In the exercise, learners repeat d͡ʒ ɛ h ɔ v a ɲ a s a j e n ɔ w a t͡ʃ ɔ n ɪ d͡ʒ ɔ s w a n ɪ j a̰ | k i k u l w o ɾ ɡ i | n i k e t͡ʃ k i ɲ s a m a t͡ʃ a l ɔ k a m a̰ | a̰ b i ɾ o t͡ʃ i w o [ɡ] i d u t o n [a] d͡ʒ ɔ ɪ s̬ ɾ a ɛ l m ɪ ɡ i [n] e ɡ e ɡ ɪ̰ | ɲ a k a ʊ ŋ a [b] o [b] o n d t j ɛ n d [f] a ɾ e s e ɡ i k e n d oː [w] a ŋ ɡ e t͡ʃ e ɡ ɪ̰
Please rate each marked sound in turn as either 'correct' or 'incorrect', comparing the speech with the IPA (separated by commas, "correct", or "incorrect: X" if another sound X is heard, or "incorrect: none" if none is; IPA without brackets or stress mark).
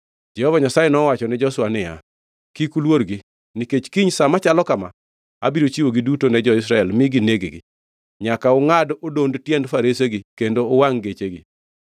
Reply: correct, incorrect: ɛ, correct, incorrect: d, incorrect: d, correct, correct